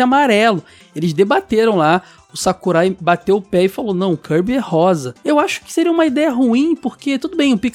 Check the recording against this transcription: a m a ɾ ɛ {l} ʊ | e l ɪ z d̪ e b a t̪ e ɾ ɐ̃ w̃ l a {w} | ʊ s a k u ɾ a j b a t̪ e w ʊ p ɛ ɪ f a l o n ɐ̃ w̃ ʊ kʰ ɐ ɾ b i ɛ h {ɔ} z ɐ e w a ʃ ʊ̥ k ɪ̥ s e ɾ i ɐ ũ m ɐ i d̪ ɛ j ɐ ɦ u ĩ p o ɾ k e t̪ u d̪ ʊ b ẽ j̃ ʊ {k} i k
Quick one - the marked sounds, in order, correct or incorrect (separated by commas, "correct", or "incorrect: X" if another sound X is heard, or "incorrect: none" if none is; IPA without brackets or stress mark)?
correct, incorrect: none, correct, incorrect: p